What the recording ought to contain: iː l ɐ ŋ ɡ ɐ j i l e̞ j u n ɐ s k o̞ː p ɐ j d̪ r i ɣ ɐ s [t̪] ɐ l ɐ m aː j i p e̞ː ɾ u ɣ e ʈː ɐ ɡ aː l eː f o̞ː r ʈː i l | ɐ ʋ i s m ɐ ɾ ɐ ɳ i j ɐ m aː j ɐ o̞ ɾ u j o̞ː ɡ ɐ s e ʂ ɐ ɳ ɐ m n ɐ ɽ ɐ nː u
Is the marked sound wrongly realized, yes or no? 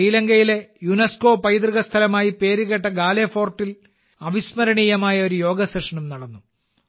yes